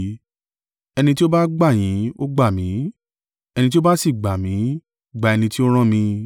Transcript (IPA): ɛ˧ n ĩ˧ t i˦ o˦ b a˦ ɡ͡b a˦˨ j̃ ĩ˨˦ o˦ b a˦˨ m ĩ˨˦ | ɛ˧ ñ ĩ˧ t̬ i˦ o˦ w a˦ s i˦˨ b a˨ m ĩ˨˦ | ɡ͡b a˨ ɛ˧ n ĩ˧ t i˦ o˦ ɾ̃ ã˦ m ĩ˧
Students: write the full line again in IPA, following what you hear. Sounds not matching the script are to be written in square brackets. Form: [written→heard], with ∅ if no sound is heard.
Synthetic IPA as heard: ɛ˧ n ĩ˧ t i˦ o˦ b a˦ ɡ͡b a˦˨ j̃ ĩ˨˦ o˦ [b→ɡ͡b] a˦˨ m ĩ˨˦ | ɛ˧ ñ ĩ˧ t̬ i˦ o˦ [w→b] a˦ s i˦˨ [b→ɡ͡b] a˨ m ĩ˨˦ | ɡ͡b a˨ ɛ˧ n ĩ˧ t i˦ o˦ ɾ̃ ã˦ m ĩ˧